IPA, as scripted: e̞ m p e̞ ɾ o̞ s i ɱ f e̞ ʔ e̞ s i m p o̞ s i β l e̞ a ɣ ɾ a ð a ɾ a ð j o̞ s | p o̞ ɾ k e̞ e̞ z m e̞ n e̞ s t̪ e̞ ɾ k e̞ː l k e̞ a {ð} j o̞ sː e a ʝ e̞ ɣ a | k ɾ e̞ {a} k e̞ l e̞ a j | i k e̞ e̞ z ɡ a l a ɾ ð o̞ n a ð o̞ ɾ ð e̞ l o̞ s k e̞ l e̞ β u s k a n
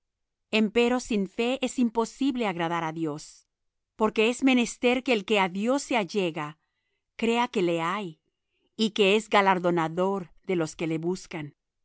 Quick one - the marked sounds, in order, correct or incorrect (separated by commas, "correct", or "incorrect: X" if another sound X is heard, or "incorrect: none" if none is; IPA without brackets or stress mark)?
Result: correct, correct